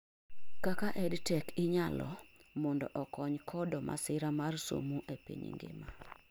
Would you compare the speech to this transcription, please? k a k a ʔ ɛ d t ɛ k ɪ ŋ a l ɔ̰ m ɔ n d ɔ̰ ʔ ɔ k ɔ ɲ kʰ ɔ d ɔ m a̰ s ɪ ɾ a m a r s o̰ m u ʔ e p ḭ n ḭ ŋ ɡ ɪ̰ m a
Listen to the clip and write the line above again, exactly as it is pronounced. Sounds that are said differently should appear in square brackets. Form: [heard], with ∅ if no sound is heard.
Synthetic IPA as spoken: k a k a ʔ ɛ d t ɛ k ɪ [ɲ] a l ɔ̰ m ɔ n d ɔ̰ ʔ ɔ k ɔ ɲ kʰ ɔ d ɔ m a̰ s ɪ ɾ a m a r s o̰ m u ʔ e p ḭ [ɲ] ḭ ŋ ɡ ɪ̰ m a